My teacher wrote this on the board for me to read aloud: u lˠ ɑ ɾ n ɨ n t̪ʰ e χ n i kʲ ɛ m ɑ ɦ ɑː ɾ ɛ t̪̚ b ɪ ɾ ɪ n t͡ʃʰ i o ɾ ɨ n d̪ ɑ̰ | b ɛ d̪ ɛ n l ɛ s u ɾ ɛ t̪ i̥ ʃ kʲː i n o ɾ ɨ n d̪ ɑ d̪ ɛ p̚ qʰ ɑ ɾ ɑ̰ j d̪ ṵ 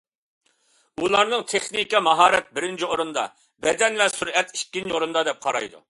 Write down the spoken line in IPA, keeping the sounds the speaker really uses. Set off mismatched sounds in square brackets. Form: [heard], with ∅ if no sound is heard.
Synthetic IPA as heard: u lˠ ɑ ɾ n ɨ [ŋ] t̪ʰ e χ n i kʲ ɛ m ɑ ɦ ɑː ɾ ɛ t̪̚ b ɪ ɾ ɪ n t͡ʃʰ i o ɾ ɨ n d̪ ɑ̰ | b ɛ d̪ ɛ n l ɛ s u ɾ ɛ t̪ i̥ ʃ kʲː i n o ɾ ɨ n d̪ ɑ d̪ ɛ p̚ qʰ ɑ ɾ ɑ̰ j d̪ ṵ